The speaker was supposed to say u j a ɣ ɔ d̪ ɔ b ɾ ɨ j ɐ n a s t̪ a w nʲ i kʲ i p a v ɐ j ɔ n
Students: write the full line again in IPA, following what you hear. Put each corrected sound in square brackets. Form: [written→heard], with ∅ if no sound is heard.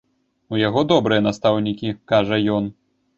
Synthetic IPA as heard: u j a ɣ ɔ d̪ ɔ b ɾ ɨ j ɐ n a s t̪ a w nʲ i kʲ i [p→k] a [v→ʐ] ɐ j ɔ n